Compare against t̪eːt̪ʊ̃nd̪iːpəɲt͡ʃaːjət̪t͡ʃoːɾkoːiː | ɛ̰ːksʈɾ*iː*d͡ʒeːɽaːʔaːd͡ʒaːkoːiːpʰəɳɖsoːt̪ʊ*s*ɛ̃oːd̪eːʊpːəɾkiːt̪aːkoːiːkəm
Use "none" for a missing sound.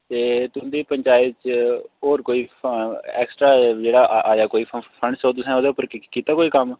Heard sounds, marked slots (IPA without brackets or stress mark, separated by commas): aː, s